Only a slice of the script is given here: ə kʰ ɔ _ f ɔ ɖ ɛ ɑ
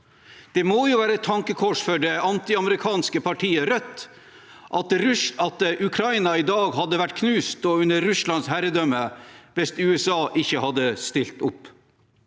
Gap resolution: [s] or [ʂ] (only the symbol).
ʂ